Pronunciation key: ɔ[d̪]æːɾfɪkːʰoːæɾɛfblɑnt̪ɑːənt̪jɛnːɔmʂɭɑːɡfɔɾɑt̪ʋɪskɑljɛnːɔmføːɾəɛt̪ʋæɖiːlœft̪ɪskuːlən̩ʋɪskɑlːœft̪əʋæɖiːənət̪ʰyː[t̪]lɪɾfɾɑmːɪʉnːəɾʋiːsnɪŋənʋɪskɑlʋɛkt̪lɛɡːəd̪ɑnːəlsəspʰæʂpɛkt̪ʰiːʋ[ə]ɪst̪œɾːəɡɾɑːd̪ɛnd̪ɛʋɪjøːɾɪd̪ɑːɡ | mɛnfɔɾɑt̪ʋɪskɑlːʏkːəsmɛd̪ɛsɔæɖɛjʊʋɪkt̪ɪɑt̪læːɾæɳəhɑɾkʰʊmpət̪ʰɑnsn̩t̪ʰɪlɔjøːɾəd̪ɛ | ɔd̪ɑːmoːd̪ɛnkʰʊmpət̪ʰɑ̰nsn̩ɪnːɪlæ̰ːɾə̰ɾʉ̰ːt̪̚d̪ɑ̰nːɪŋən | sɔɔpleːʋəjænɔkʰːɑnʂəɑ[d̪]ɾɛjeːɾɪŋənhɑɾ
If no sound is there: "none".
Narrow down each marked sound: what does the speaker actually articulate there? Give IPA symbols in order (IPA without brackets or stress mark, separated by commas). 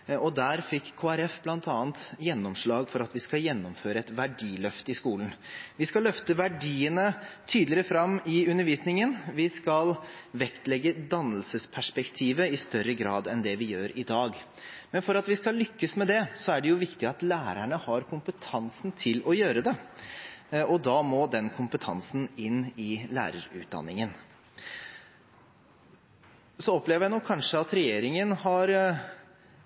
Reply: d̪, d̪, ə, t̪